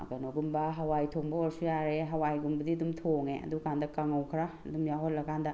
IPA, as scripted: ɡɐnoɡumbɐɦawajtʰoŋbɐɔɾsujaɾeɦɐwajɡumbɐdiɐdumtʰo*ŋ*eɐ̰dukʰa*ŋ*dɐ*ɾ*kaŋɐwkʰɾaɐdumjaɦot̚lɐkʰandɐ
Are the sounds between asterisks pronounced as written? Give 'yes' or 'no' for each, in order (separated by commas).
yes, no, no